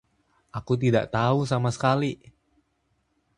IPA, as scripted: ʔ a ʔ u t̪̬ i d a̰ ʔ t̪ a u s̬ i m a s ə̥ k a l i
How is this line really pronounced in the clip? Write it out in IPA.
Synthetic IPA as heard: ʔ a k u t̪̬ i d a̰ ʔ t̪ a u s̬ a m a s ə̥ k a l i